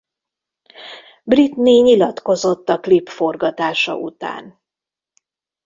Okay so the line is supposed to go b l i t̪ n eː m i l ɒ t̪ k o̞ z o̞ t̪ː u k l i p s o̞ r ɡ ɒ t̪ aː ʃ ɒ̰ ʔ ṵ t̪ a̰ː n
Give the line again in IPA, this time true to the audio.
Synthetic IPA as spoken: b r i t̪ n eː ɲ i l ɒ t̪ k o̞ z o̞ t̪ː ɒ k l i p f o̞ r ɡ ɒ t̪ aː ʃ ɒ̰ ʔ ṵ t̪ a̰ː n